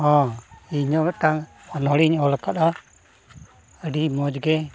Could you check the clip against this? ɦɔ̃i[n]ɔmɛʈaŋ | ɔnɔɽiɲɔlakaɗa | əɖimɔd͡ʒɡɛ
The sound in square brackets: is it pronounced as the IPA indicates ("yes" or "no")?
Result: no